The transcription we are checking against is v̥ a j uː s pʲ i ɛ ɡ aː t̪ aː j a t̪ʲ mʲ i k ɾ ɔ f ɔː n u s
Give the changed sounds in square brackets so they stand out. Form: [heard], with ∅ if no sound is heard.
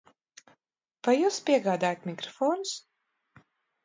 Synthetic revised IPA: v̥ a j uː s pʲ i ɛ ɡ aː [d̪] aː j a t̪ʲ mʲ i k ɾ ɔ f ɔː n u s